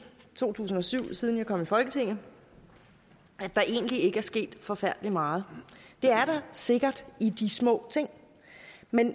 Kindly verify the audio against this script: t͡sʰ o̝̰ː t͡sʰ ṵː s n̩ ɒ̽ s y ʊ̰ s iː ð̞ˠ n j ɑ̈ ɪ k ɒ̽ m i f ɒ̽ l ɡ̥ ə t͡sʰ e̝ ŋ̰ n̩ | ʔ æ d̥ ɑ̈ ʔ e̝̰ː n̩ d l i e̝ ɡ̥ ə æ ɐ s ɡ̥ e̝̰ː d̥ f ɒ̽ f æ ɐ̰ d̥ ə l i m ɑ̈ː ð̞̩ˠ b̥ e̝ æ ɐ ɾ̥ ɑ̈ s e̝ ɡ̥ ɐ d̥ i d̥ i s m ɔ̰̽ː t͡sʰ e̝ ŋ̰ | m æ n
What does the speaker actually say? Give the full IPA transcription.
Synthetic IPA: t͡sʰ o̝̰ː t͡sʰ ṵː s n̩ ɒ̽ s y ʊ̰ s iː ð̞ˠ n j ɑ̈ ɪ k ɒ̽ m i f ɒ̽ l ɡ̥ ə t͡sʰ e̝ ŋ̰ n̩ | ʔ æ d̥ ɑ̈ ʔ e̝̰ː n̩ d l i e̝ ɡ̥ ə æ ɐ s ɡ̥ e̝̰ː d̥ f ɒ̽ f æ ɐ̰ d̥ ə l i m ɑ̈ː ð̞̩ˠ d̥ e̝ æ ɐ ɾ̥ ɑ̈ s e̝ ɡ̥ ɐ d̥ i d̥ i s m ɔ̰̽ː t͡sʰ e̝ ŋ̰ | m e n